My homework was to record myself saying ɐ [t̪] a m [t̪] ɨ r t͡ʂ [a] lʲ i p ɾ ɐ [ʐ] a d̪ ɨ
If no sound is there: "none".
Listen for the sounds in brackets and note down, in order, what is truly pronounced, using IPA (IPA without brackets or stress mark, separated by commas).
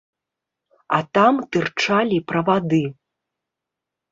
t̪, t̪, a, v